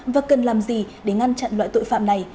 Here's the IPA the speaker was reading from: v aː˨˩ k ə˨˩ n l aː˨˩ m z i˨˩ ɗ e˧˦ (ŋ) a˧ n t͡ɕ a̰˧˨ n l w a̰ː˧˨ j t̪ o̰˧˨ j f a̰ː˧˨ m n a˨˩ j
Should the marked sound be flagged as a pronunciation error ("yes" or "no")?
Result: no